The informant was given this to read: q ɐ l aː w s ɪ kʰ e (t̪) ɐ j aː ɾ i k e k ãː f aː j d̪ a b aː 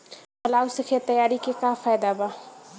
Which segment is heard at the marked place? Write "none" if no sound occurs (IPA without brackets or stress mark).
t̪